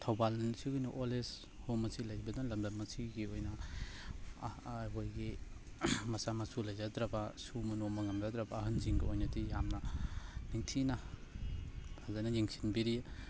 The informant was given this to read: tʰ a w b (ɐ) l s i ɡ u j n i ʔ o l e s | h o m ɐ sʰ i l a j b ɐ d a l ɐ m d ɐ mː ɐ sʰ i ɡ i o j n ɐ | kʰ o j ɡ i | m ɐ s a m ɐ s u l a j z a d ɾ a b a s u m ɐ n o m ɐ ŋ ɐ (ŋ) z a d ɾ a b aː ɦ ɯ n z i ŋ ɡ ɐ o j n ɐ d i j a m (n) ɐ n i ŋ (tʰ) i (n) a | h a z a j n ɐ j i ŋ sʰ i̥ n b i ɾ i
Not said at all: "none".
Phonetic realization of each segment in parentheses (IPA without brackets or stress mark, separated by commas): a, m, n, tʰ, n